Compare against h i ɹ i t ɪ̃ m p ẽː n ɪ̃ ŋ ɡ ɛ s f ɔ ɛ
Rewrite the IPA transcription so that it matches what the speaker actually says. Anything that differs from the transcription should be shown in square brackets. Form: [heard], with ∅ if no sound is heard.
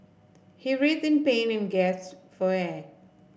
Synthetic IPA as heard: h i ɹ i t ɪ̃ [n] p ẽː n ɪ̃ [n] ɡ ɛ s f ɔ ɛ